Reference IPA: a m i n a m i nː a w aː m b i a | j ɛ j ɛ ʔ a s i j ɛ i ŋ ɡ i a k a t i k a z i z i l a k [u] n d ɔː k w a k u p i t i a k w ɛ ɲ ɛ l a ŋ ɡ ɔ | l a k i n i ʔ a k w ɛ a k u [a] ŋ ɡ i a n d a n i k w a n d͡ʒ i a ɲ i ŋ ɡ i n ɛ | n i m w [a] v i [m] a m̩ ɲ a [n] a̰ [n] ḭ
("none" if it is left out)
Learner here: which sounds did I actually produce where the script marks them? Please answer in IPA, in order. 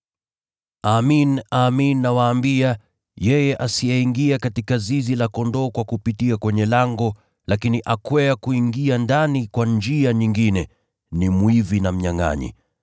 ɔ, i, i, n, ŋ, ɲ

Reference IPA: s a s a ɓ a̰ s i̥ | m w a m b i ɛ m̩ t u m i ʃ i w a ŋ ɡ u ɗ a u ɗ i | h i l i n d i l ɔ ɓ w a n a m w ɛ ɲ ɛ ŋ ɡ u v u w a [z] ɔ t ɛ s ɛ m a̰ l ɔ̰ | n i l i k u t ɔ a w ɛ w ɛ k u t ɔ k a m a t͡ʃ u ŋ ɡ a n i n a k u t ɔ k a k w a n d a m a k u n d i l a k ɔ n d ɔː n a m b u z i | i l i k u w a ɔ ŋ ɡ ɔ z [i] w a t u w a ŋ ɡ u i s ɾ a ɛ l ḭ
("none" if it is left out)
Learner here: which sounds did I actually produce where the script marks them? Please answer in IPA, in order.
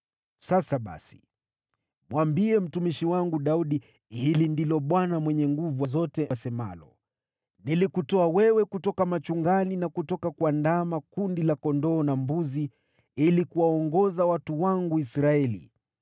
z, a

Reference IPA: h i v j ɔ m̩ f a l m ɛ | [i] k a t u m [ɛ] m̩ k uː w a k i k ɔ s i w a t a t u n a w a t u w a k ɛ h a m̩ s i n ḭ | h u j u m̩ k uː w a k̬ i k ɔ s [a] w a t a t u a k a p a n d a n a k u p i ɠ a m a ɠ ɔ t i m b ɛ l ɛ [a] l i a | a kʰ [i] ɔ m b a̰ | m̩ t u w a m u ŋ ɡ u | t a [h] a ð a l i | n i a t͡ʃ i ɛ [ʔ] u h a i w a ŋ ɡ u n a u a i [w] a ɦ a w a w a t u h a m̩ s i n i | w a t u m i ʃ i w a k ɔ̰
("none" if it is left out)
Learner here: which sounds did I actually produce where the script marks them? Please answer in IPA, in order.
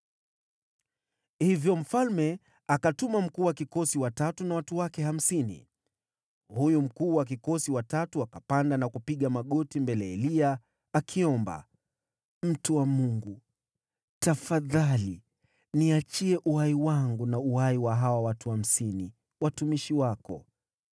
a, a, i, ɛ, i, f, ʔ, w

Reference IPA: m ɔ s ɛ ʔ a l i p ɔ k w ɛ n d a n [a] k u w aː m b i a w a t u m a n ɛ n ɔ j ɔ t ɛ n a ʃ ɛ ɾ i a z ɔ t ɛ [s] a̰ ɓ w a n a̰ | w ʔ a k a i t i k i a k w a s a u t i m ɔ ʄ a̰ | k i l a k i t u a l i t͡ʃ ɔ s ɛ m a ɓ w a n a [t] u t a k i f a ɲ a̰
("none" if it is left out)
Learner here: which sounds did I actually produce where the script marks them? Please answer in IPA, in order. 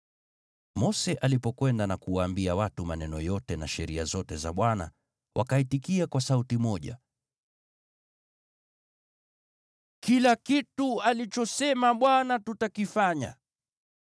a, z, t

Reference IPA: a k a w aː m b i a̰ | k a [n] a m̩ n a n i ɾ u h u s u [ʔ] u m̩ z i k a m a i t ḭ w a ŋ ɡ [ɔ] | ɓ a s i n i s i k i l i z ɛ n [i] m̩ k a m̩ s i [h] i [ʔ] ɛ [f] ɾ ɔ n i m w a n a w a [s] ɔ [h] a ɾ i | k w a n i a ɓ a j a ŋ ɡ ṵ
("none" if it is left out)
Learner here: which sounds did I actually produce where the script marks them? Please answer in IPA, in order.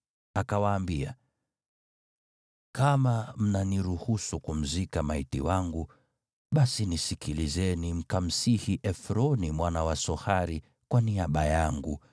m, k, u, i, h, ʔ, f, s, h

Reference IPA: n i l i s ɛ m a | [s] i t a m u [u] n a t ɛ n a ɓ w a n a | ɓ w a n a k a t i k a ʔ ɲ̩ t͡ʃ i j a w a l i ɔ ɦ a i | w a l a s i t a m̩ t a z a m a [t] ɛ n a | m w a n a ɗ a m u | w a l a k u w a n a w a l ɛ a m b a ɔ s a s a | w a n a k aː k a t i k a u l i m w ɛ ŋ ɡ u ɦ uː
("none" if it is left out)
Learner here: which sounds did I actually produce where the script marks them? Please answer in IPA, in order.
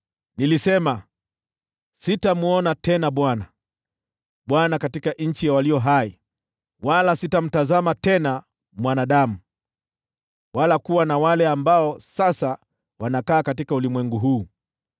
s, ɔ, t

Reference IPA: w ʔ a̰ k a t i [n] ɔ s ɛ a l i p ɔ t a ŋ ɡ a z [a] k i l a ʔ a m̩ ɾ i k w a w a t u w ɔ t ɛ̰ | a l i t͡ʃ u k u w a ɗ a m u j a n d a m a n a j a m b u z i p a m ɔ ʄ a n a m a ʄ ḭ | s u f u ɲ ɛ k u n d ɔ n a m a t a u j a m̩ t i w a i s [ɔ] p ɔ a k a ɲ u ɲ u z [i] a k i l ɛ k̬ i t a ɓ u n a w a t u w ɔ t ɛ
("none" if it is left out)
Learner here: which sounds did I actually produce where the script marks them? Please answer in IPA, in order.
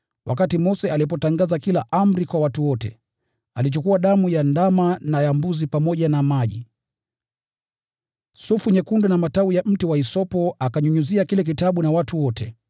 m, a, ɔ, i

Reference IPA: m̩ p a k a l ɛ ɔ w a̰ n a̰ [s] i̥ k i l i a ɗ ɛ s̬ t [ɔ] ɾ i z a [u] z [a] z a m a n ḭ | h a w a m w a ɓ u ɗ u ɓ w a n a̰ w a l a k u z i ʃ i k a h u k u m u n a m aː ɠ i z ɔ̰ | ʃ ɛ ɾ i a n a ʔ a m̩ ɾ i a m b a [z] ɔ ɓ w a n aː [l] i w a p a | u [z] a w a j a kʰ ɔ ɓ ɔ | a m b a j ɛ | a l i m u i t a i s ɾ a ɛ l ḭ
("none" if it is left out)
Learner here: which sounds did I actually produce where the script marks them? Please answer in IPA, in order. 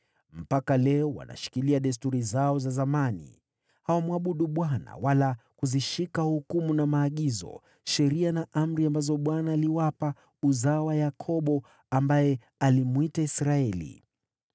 ʃ, u, ɔ, a, z, l, z

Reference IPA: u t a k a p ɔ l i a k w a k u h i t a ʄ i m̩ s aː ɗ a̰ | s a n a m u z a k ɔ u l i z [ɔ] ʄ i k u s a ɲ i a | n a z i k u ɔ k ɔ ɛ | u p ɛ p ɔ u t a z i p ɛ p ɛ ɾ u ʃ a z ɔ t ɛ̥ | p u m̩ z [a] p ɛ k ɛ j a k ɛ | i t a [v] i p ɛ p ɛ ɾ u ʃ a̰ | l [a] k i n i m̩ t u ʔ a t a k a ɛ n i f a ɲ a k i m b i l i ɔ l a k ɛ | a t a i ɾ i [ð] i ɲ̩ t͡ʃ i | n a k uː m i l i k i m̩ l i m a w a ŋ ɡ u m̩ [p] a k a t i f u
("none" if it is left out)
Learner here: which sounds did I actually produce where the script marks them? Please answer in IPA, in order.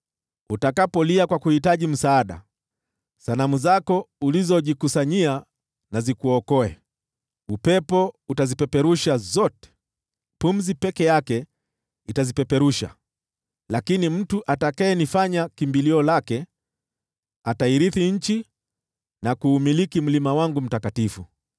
ɔ, i, z, a, θ, t

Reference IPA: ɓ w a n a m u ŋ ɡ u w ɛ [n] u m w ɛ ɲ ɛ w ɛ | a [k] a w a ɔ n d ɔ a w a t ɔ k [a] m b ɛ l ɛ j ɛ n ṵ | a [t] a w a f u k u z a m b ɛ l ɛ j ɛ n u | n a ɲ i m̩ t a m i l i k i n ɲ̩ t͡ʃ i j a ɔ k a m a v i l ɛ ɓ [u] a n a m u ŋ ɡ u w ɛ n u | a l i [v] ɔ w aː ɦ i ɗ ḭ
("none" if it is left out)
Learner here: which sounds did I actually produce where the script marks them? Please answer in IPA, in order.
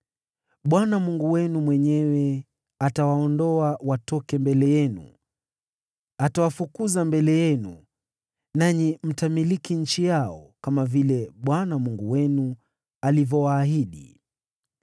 n, t, ɛ, t, w, v

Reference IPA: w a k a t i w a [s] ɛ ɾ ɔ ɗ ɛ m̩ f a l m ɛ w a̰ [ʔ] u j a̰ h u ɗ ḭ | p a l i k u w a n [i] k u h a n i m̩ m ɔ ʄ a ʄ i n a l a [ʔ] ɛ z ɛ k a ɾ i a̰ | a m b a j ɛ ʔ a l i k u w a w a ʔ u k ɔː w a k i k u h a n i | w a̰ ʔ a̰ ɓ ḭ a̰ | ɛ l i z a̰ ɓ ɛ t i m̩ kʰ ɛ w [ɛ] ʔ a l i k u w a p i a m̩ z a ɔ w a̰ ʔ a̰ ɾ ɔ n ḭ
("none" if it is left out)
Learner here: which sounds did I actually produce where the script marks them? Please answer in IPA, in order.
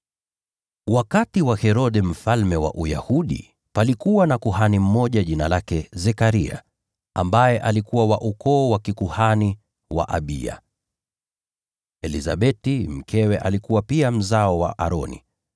h, ʔ, a, k, ɛ

